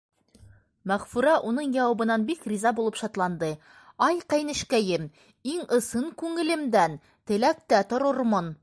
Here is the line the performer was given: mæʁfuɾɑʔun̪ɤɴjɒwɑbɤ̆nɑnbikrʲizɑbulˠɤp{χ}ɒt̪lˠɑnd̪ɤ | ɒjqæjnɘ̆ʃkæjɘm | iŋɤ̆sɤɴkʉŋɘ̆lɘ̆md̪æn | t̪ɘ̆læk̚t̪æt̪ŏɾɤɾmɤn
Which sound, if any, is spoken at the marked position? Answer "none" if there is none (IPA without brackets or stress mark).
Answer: ʃ